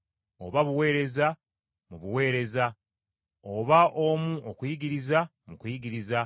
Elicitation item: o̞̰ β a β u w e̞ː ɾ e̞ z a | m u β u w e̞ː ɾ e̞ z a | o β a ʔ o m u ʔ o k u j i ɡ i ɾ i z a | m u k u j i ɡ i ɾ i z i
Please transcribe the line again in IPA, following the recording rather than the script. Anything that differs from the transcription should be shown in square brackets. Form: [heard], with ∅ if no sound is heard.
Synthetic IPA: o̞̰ β a β u w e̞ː ɾ e̞ z a | m u β u w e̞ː ɾ e̞ z a | o β a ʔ o m u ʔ o k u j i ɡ i ɾ i z a | m u k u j i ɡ i ɾ i z [a]